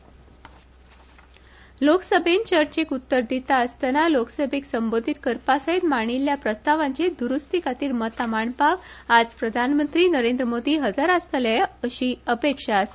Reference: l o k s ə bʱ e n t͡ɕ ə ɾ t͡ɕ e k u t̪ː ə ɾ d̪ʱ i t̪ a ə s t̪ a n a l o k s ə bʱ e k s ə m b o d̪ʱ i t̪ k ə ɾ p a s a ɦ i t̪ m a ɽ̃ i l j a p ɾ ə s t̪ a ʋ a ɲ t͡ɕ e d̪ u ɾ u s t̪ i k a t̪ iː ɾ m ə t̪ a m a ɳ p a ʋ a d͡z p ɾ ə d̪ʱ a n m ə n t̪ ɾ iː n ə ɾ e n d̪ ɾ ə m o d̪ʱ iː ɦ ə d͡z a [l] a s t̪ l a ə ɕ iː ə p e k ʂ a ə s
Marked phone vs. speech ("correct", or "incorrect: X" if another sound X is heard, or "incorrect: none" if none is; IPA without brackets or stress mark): incorrect: ɾ